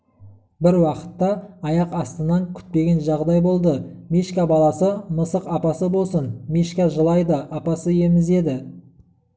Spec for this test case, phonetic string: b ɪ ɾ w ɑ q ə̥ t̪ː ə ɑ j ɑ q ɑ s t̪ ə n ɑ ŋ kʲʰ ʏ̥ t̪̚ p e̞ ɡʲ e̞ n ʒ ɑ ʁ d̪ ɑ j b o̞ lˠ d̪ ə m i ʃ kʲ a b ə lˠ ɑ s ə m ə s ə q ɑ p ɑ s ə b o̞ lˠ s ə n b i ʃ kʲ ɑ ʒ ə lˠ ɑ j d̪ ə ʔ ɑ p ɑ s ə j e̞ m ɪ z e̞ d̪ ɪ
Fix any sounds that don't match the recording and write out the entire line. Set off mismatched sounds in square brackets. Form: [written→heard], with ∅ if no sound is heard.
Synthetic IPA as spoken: b ɪ ɾ w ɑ q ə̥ t̪ː [ə→ɑ] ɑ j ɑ q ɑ s t̪ ə n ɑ ŋ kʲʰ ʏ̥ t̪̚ p e̞ ɡʲ e̞ n ʒ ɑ ʁ d̪ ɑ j b o̞ lˠ d̪ ə m i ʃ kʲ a b [ə→ɑ] lˠ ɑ s ə m ə s ə q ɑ p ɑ s ə b o̞ lˠ s ə n [b→m] i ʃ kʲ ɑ ʒ ə lˠ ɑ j d̪ ə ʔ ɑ p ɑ s ə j e̞ m ɪ z e̞ d̪ ɪ